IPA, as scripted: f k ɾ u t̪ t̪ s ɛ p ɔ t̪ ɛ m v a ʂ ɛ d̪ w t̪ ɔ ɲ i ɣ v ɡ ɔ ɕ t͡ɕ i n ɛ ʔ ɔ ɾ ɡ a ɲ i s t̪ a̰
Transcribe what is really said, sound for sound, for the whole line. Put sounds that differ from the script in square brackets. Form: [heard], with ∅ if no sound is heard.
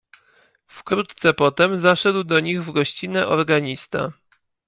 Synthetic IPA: f k ɾ u t̪ t̪ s ɛ p ɔ t̪ ɛ m [z] a ʂ ɛ d̪ w [d̪] ɔ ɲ i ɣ v ɡ ɔ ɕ t͡ɕ i n ɛ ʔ ɔ ɾ ɡ a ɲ i s t̪ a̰